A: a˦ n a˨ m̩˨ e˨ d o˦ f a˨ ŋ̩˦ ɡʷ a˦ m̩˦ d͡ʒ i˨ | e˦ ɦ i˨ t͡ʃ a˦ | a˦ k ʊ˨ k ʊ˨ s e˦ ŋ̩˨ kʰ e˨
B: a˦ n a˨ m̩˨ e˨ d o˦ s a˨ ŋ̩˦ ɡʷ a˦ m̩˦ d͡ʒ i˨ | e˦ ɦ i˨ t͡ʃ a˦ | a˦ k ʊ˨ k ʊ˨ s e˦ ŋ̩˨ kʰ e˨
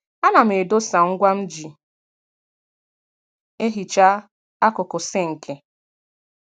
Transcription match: B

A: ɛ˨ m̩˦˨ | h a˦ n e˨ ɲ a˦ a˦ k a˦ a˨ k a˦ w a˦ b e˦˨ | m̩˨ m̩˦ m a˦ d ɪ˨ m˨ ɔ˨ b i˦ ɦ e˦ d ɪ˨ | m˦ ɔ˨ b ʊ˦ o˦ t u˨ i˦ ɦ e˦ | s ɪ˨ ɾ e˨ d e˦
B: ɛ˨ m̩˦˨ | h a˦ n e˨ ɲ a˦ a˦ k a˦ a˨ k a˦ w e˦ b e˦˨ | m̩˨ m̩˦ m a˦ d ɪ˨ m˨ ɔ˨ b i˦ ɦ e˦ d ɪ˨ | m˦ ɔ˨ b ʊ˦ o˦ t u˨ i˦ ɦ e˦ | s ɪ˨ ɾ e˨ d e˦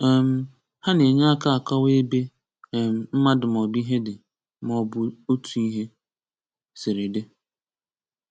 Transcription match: B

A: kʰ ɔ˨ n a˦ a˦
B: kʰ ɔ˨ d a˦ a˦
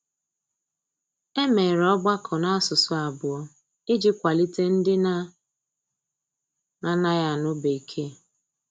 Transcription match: A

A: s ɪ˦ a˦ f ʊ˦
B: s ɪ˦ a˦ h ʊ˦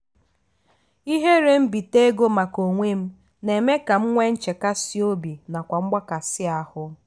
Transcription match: B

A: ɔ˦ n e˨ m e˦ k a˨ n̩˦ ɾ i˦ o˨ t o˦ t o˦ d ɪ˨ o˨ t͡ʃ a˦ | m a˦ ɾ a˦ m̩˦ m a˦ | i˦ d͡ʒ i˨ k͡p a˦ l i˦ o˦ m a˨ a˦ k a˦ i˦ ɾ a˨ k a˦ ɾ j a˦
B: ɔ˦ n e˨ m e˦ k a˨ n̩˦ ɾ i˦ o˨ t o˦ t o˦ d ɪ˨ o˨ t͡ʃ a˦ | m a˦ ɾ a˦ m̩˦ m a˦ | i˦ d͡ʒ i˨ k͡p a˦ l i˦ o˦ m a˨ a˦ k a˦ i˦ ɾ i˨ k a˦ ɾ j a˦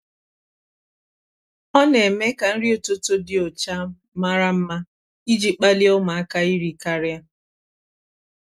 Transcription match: B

